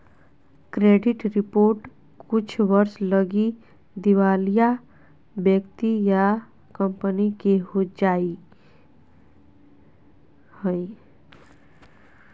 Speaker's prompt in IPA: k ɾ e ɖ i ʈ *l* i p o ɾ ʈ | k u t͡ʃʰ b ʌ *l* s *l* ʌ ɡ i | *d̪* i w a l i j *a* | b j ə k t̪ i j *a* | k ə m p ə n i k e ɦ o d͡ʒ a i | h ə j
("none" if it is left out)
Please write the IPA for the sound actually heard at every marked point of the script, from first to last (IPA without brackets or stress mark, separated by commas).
ɾ, ɾ, l, d̪, a, a